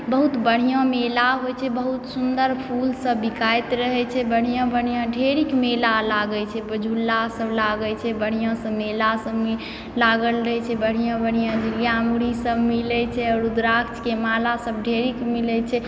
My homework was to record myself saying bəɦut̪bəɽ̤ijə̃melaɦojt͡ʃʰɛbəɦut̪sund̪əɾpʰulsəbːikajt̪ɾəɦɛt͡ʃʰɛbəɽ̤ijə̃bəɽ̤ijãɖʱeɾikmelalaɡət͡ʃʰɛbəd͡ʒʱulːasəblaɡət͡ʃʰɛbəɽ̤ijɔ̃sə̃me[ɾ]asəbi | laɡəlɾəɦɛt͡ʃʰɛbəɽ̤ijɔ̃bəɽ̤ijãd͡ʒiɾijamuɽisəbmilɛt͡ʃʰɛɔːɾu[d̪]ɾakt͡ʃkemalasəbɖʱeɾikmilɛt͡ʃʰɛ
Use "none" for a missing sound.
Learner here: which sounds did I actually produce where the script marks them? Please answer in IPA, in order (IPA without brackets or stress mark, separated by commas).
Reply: l, d̪